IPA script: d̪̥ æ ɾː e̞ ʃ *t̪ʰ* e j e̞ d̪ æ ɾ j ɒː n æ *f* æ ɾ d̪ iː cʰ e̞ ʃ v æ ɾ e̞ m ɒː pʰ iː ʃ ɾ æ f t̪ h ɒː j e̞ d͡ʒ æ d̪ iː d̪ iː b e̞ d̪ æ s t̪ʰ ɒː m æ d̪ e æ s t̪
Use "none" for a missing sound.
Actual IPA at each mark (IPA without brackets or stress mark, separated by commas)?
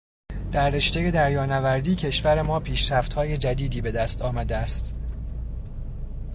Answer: t̪, v